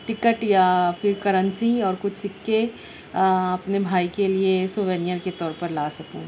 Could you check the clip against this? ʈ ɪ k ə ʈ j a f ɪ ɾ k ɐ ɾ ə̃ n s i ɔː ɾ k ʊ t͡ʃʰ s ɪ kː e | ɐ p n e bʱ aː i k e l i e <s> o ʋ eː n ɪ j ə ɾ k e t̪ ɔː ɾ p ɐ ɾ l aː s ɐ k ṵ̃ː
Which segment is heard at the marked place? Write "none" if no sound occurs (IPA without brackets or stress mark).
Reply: s